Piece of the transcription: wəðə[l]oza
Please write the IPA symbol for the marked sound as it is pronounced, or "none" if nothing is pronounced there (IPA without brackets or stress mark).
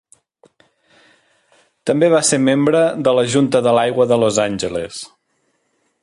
l